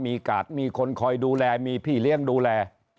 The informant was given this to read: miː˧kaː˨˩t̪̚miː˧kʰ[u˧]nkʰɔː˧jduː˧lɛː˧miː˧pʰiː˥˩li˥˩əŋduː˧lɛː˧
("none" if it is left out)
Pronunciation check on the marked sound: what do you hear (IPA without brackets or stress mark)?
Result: o˧